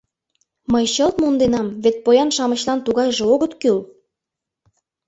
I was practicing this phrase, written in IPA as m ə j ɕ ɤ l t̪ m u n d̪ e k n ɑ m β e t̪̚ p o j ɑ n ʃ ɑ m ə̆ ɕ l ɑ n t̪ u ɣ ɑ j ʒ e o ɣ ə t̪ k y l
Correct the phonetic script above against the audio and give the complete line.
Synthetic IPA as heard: m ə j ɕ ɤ l t̪ m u n d̪ e n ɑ m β e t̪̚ p o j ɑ n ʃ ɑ m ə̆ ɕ l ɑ n t̪ u ɣ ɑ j ʒ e o ɣ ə t̪ k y l